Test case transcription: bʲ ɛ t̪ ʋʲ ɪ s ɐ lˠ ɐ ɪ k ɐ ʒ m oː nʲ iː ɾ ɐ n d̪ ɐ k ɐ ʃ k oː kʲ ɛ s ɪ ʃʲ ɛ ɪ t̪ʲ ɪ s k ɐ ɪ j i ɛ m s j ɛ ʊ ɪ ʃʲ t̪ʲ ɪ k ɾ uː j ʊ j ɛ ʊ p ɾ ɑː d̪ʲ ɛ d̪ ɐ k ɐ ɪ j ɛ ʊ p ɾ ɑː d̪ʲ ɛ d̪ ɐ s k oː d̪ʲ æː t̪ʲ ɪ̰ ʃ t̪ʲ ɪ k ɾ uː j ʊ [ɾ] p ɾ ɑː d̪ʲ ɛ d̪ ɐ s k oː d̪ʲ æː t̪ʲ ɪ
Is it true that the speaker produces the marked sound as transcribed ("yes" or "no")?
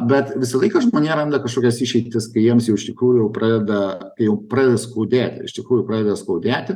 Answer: no